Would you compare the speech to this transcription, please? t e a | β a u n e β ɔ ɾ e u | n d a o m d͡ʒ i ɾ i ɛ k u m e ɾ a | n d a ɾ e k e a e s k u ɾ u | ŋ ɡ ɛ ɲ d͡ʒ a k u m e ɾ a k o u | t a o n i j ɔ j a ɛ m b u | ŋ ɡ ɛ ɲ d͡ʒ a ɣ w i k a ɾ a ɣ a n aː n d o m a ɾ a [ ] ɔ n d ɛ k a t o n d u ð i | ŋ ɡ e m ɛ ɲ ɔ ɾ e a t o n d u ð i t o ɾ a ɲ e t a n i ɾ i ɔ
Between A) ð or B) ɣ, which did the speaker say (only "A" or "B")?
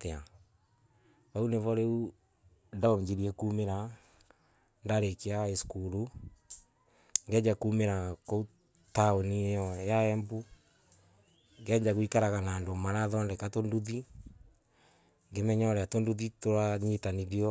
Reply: A